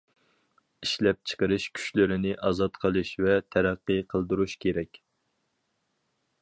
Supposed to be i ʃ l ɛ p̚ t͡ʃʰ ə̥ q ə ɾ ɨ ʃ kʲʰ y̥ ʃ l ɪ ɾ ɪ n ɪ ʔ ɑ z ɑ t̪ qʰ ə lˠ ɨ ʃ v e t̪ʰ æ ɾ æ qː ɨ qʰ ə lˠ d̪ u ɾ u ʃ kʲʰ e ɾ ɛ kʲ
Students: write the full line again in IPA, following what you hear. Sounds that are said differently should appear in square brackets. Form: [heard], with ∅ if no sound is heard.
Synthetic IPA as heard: i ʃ l ɛ p̚ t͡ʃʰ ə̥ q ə ɾ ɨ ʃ kʲʰ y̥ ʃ l ɪ ɾ ɪ n ɪ ʔ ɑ z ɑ t̪ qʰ ə lˠ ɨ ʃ v [ɛ] t̪ʰ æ ɾ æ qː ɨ qʰ ə lˠ d̪ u ɾ u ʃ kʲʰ e ɾ ɛ kʲ